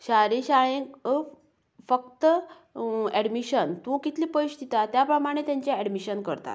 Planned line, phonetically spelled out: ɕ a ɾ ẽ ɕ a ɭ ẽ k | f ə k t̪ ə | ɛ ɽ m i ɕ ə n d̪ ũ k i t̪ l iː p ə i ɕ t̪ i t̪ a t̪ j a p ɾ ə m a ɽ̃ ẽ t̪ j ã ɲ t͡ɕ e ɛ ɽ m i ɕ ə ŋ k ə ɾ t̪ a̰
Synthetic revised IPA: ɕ a ɾ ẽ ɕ a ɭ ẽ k | f ə k t̪ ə | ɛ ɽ m i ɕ ə n t̪ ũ k i t̪ l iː p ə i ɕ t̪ i t̪ a t̪ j a p ɾ ə m a ɽ̃ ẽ t̪ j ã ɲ t͡ɕ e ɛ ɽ m i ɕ ə n k ə ɾ t̪ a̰

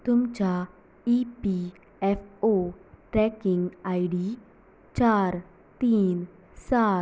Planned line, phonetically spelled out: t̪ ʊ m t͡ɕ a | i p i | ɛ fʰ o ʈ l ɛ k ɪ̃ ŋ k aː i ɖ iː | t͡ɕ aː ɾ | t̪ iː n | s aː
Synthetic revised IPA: t̪ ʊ m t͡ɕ a | i p i | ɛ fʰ o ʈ ɾ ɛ k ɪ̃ ŋ ɡ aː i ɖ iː | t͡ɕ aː ɾ | t̪ iː n | s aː

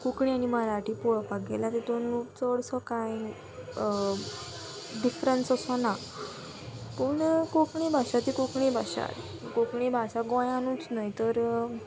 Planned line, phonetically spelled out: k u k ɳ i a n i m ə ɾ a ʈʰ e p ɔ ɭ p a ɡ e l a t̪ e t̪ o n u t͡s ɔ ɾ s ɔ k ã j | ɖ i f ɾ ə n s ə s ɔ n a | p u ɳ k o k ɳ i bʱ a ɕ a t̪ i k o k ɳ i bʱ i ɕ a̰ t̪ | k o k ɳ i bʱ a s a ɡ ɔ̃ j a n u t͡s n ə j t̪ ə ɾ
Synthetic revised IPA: k u k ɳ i a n i m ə ɾ a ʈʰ i p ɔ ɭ p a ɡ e l a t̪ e t̪ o n u t͡s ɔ ɽ s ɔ k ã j | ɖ i f ɾ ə n s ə s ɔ n a | p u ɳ k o k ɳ i bʱ a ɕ a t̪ i k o k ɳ i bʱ a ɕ a̰ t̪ | k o k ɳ i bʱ a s a ɡ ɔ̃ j a n u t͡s n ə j t̪ ə ɾ

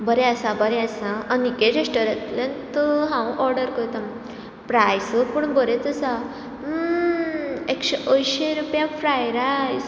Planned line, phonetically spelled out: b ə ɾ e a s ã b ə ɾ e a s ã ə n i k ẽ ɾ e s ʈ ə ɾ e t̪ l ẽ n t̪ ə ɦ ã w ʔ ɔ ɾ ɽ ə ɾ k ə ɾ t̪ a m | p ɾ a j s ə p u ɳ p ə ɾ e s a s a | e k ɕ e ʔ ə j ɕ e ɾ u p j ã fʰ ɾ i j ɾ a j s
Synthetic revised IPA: b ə ɾ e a s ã b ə ɾ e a s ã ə n i k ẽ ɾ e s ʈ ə ɾ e t̪ l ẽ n t̪ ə ɦ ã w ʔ ɔ ɾ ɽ ə ɾ k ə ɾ t̪ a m | p ɾ a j s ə p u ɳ b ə ɾ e t͡s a s a | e k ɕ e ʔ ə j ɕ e ɾ u p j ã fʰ ɾ a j ɾ a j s

